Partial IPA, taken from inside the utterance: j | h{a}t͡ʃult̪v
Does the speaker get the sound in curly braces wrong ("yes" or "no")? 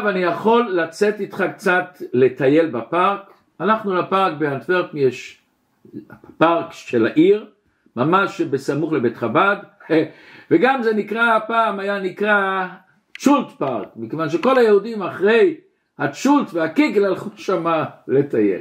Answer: no